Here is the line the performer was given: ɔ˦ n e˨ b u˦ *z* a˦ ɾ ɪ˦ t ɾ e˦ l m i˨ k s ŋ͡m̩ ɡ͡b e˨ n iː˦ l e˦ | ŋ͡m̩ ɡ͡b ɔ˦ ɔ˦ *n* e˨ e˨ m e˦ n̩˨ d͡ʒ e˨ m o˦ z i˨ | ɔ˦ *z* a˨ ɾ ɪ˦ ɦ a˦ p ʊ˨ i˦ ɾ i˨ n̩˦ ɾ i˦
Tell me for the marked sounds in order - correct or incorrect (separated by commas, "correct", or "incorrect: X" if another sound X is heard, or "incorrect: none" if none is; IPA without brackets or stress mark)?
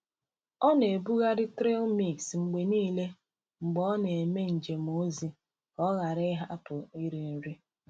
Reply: incorrect: ɣ, correct, incorrect: ɣ